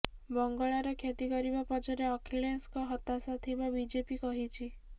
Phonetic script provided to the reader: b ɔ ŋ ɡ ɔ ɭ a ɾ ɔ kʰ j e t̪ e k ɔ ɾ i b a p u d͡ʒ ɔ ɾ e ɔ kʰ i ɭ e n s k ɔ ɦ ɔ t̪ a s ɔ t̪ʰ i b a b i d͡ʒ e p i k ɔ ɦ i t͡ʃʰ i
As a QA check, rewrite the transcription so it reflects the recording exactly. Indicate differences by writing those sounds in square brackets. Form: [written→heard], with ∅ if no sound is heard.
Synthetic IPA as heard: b ɔ ŋ ɡ ɔ ɭ a ɾ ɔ kʰ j e t̪ [e→i] k ɔ ɾ i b a p [u→ɔ] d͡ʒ ɔ ɾ e ɔ kʰ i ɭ e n s k ɔ ɦ ɔ t̪ a s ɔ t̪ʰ i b a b i d͡ʒ e p i k ɔ ɦ i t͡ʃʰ i